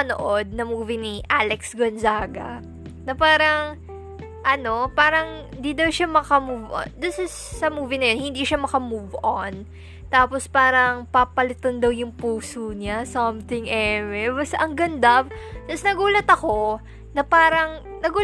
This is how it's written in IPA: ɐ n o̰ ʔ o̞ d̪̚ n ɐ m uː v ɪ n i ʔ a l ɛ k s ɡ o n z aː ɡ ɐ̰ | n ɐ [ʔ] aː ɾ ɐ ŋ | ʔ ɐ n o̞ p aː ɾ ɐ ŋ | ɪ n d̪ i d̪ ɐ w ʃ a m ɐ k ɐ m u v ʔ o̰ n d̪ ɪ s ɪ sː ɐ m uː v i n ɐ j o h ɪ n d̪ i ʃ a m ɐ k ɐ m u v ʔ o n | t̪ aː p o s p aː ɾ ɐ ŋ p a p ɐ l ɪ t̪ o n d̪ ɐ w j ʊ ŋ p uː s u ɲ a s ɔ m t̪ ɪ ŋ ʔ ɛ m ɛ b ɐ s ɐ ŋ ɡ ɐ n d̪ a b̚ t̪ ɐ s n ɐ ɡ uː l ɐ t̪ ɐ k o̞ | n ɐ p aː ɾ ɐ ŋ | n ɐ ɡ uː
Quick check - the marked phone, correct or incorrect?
incorrect